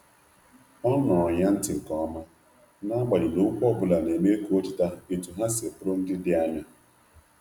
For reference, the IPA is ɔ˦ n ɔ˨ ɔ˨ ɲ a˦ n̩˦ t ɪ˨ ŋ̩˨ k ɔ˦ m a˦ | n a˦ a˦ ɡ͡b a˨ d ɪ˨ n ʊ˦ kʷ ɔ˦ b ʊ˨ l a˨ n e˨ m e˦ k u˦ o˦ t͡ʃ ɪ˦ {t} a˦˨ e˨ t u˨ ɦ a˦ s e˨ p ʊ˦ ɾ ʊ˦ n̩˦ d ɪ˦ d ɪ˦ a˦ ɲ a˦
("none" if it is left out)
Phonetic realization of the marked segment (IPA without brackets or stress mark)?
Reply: t